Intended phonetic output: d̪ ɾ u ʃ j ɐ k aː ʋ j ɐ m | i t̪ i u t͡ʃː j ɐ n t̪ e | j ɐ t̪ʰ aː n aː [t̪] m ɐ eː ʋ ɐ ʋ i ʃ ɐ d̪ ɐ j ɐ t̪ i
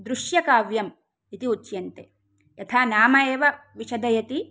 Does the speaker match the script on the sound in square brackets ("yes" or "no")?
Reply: no